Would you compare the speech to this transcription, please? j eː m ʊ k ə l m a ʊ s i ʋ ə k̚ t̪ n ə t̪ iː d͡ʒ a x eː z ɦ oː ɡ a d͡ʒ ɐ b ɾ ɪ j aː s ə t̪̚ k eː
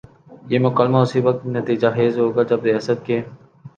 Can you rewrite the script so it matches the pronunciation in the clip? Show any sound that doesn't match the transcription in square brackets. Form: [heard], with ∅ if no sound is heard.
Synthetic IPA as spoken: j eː m ʊ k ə l m a ʊ s i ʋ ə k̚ t̪ n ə t̪ iː d͡ʒ a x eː z ɦ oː ɡ a d͡ʒ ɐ b ɾ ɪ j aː s ə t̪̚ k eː